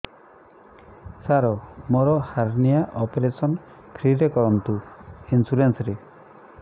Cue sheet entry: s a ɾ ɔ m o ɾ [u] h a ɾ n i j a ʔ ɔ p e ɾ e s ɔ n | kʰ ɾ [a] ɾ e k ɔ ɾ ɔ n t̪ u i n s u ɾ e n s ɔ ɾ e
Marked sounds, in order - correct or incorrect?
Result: incorrect: ɔ, incorrect: i

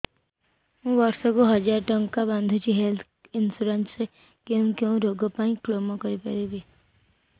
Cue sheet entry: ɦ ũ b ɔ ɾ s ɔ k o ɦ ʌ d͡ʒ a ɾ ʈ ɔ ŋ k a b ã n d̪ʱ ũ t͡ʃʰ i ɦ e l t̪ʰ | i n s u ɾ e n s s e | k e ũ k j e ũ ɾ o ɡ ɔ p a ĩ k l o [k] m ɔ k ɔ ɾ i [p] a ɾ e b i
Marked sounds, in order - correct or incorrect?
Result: incorrect: none, correct

